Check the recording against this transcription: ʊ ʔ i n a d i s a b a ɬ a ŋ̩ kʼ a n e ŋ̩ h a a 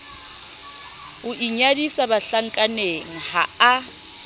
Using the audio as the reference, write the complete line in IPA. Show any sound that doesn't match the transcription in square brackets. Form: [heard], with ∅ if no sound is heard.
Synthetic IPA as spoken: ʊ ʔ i [ɲ] a d i s a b a ɬ a ŋ̩ kʼ a n e ŋ̩ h a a